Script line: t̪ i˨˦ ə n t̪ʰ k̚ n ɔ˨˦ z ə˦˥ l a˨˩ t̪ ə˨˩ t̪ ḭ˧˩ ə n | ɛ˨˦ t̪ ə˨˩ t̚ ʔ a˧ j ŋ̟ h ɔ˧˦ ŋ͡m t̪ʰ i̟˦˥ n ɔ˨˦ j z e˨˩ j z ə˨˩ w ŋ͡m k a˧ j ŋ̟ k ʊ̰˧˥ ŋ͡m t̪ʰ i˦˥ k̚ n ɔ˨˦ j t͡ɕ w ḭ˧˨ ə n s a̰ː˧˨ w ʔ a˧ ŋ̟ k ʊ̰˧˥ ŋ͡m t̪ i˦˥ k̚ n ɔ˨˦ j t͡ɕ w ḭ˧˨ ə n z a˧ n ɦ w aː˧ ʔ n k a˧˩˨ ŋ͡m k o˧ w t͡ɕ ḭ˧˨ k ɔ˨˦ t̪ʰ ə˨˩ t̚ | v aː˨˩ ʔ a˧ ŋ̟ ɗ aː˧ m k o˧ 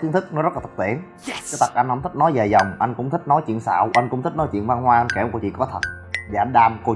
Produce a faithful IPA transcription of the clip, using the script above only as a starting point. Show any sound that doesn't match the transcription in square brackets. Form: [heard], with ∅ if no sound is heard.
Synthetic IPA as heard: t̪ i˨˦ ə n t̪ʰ k̚ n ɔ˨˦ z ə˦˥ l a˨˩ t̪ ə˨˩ t̪ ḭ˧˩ ə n | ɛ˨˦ t̪ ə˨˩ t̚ ʔ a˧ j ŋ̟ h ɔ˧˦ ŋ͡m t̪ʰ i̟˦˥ n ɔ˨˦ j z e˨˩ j z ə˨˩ w ŋ͡m [ʔ] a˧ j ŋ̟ k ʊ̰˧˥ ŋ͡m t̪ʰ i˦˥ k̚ n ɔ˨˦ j t͡ɕ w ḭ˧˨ ə n s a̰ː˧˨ w ʔ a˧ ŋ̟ k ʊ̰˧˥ ŋ͡m t̪ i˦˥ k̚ n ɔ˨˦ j t͡ɕ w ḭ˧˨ ə n [v] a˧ n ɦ w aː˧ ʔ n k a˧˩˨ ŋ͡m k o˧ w t͡ɕ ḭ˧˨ k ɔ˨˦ t̪ʰ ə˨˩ t̚ | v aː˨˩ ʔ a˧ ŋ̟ ɗ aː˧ m k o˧